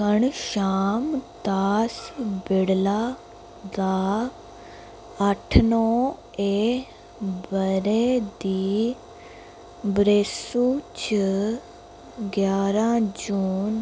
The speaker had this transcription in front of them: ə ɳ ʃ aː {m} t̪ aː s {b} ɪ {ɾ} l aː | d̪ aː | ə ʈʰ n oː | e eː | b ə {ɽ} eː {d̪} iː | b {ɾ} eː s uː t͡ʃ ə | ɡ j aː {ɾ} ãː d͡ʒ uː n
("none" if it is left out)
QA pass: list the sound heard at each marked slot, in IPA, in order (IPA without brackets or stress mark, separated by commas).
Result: m, b, ɽ, ɾ, d̪, ɾ, ɾ